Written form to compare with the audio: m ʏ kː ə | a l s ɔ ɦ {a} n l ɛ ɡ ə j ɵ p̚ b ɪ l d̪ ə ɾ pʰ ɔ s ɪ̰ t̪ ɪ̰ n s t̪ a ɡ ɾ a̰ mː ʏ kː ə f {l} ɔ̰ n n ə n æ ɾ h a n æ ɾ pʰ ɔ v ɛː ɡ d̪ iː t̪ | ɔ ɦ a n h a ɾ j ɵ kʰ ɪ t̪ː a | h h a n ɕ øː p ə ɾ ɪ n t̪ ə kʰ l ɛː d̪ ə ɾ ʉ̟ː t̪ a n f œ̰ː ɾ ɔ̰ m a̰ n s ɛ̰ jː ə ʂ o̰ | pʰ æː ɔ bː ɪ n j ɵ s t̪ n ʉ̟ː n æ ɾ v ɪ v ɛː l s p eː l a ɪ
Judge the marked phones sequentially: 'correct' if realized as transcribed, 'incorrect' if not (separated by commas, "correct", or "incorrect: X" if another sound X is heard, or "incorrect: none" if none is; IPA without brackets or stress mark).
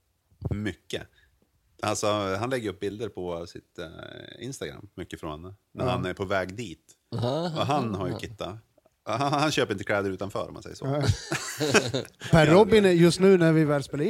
correct, incorrect: ɾ